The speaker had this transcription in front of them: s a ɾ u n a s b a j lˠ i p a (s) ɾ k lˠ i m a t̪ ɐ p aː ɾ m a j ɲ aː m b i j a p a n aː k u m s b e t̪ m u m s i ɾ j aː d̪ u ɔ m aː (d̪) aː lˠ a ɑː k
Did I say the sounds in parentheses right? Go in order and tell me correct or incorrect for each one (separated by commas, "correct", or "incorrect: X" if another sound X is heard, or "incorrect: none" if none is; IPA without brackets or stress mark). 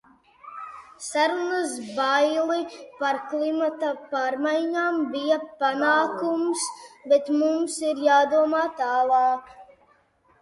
incorrect: none, incorrect: t̪